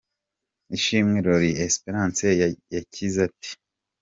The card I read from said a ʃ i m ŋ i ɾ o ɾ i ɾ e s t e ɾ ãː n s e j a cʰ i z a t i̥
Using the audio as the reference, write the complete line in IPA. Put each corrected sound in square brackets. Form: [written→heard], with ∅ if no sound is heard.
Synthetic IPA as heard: [a→i] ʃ i m ŋ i ɾ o ɾ i [ɾ→∅] e s [t→p] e ɾ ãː n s e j a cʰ i z a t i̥